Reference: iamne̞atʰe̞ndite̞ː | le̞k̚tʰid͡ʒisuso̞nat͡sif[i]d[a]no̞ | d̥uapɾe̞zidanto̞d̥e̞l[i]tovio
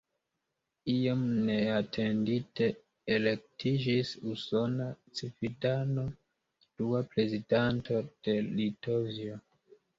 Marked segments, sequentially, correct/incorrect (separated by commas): correct, correct, correct